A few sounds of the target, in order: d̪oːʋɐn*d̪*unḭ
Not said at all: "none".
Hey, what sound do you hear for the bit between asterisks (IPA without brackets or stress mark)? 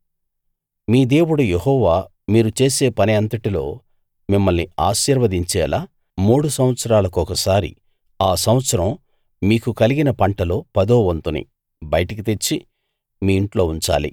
t̪